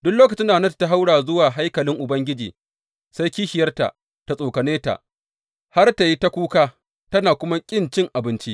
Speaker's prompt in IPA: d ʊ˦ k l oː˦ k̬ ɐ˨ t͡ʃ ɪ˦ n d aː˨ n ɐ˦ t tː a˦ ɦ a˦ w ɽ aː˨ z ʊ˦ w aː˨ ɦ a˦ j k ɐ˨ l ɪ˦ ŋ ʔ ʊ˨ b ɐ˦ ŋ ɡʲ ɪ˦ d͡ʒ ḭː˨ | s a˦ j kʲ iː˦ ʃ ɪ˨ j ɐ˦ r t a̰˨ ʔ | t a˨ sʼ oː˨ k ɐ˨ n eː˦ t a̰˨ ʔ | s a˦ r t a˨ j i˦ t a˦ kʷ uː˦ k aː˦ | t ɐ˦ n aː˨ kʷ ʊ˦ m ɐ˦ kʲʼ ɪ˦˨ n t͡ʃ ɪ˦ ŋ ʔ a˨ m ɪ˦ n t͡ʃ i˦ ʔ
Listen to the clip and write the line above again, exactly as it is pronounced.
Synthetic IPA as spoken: d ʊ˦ k l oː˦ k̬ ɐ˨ t͡ʃ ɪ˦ n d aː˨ n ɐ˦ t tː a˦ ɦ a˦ w ɽ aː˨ z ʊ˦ w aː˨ ɦ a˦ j k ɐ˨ l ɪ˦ ŋ ʔ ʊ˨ b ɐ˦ ŋ ɡʲ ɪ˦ d͡ʒ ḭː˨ | s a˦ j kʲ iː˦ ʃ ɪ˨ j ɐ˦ r t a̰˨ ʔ | t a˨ sʼ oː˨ k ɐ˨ n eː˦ t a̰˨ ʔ | h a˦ r t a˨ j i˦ t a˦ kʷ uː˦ k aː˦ | t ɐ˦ n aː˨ kʷ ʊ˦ m a˦ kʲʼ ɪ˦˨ n t͡ʃ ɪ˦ ŋ ʔ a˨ b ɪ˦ n t͡ʃ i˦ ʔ